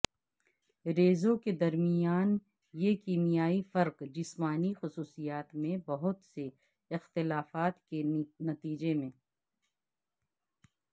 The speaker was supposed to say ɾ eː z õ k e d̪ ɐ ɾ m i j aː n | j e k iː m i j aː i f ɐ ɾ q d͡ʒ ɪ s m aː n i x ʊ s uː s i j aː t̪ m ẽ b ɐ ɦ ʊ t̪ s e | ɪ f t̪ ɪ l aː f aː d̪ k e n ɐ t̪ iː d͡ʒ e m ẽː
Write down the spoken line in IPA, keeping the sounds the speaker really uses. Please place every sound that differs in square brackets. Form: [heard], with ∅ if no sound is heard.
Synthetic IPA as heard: ɾ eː z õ k e d̪ ɐ ɾ m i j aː n | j e k iː m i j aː i f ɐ ɾ q d͡ʒ ɪ s m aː n i x ʊ s uː s i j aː t̪ m ẽ b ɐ ɦ ʊ t̪ s e | ɪ [x] t̪ ɪ l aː f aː [t̪] k e n ɐ t̪ iː d͡ʒ e m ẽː

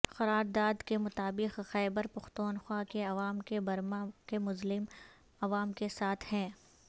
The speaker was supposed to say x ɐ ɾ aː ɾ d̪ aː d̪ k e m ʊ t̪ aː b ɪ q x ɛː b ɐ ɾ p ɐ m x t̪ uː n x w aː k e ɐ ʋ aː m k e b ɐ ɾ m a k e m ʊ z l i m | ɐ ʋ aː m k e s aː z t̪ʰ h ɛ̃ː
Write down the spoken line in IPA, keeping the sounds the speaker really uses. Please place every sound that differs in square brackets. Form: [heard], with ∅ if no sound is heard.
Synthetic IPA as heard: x ɐ ɾ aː ɾ d̪ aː d̪ k e m ʊ t̪ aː b ɪ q x ɛː b [ə] ɾ p ɐ [∅] x t̪ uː n x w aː k e ɐ ʋ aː m k e b ɐ ɾ m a k e m ʊ z l [ɪ] m | ɐ ʋ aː m k e s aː [∅] t̪ʰ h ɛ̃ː

